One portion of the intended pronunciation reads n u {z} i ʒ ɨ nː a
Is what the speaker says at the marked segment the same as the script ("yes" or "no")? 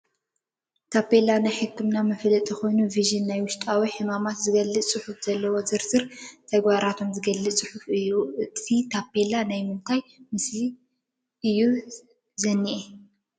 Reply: no